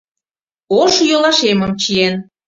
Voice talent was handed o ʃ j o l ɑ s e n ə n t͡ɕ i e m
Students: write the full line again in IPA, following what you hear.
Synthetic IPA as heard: o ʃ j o l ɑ ʃ e m ə m t͡ɕ i e n